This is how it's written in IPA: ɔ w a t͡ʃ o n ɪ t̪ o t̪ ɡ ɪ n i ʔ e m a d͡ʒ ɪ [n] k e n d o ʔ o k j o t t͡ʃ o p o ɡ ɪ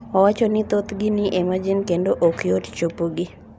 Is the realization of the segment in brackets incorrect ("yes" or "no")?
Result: no